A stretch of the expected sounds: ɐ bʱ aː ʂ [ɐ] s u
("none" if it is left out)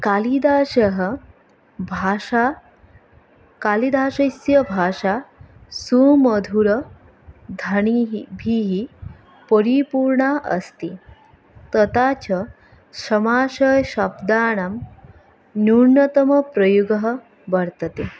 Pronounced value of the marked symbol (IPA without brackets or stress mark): a